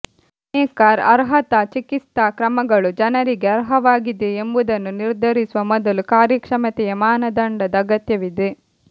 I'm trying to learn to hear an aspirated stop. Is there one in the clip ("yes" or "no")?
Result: no